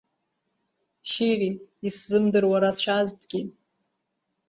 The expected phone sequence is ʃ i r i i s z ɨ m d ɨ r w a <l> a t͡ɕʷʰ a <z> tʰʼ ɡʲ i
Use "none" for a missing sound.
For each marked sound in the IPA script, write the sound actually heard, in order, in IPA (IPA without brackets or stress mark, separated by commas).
ɾ, z